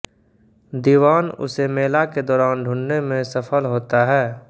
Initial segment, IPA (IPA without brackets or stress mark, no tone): d̪